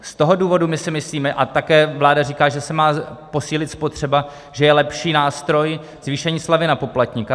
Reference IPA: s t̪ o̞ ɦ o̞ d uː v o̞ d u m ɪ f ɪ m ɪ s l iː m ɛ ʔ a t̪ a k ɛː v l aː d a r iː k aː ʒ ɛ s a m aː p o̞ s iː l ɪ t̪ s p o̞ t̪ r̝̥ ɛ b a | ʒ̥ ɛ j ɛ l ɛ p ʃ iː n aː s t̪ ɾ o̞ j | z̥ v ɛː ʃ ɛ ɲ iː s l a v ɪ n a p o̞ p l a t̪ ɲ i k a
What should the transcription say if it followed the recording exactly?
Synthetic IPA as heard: s t̪ o̞ ɦ o̞ d uː v o̞ d u m ɪ s ɪ m ɪ s l iː m ɛ ʔ a t̪ a k ɛː v l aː d a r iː k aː ʒ ɛ s ɛ m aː p o̞ s iː l ɪ t̪ s p o̞ t̪ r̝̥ ɛ b a | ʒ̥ ɛ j ɛ l ɛ p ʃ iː n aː s t̪ ɾ o̞ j | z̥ v iː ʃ ɛ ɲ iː s l a v ɪ n a p o̞ p l a t̪ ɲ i k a